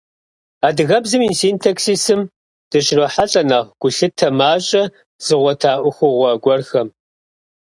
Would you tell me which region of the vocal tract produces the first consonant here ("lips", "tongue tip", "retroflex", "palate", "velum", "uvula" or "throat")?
tongue tip